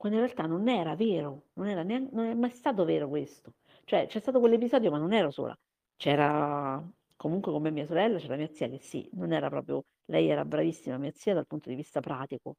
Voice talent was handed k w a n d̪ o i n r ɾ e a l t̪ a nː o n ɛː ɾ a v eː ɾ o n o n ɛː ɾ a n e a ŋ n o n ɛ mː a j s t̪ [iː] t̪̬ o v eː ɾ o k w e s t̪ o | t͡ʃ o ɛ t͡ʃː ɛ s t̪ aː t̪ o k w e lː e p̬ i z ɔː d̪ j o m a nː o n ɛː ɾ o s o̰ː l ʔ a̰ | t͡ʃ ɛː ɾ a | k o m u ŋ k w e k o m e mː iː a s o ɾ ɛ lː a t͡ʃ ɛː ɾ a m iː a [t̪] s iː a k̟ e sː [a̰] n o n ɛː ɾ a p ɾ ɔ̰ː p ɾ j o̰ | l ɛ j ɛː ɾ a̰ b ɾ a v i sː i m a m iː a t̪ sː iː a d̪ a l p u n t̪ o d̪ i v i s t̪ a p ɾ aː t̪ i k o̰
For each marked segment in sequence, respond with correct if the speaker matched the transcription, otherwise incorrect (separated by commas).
incorrect, correct, incorrect